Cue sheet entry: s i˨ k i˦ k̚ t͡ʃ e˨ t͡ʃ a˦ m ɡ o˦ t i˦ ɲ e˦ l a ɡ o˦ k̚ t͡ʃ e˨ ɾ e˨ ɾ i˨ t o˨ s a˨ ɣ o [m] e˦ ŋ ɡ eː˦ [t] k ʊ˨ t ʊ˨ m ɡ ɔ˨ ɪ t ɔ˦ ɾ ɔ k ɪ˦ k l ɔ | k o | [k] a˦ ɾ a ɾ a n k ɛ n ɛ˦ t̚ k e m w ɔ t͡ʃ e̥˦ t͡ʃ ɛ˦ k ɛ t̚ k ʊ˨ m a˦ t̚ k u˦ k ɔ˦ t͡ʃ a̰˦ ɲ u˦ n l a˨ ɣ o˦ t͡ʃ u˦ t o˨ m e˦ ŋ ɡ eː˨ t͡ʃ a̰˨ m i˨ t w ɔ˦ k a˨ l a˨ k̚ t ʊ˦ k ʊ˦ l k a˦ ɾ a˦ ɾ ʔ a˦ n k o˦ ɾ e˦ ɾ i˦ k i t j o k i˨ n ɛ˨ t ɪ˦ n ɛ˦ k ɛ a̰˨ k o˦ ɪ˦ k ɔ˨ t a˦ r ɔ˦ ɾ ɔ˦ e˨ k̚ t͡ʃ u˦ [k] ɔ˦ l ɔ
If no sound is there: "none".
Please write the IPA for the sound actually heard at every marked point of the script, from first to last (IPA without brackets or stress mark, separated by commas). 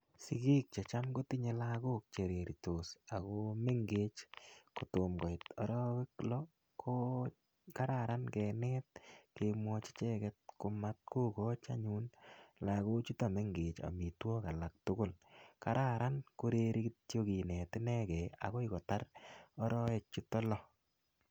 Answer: m, t͡ʃ, k, t